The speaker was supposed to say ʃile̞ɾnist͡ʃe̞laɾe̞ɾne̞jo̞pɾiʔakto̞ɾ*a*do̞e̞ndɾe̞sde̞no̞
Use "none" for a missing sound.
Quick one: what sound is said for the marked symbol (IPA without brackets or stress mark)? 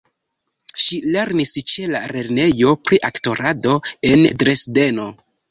a